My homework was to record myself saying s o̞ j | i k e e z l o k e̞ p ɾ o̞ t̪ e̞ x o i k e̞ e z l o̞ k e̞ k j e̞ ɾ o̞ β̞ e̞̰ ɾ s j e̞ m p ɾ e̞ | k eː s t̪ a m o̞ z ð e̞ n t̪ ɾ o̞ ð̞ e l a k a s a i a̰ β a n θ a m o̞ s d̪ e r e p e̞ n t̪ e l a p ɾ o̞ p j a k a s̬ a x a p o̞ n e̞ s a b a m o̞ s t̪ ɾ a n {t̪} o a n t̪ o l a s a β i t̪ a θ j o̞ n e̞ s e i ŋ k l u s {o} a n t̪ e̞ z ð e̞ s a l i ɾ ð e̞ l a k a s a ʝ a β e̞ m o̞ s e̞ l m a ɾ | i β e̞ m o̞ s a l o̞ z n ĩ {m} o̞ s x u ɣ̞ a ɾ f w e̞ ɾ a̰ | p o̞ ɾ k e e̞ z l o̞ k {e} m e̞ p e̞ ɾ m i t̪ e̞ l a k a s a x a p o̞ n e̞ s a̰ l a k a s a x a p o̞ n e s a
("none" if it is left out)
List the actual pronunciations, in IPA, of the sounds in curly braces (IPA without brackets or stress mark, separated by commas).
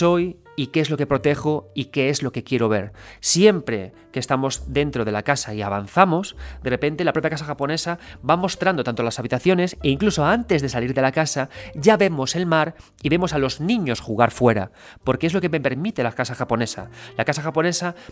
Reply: d̪, o, ɲ, e